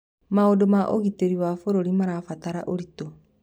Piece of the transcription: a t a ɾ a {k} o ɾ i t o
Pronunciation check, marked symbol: incorrect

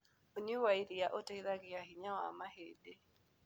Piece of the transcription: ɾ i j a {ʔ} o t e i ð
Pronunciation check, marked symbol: correct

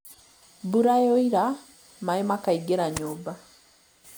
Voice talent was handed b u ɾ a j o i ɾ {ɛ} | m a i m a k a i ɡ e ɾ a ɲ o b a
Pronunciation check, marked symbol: incorrect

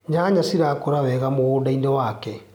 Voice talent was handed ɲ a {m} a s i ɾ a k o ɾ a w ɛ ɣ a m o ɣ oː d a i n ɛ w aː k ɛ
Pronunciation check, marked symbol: incorrect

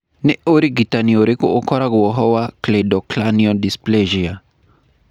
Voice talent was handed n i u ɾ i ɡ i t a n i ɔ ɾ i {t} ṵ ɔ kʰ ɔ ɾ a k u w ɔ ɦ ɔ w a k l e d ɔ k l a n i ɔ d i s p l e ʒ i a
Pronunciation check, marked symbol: incorrect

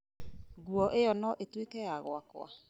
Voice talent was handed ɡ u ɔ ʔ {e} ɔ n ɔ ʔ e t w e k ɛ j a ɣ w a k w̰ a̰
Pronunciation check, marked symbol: correct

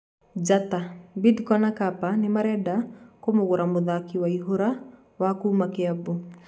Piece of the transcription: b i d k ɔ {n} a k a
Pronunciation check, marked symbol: correct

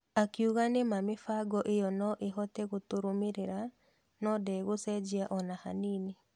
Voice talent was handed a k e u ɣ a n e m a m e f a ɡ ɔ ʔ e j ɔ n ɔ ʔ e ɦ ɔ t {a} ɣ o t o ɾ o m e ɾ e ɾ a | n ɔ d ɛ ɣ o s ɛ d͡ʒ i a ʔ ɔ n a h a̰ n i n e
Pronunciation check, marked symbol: incorrect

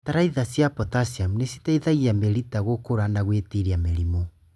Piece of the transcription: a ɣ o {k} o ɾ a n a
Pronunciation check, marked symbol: correct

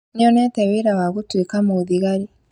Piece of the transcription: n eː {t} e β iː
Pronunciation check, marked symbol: correct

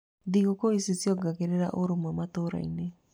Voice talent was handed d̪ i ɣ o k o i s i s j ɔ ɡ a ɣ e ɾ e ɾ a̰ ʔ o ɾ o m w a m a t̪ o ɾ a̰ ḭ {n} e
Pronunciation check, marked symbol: correct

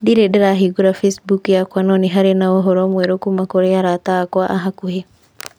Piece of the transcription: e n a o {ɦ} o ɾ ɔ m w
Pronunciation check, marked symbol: correct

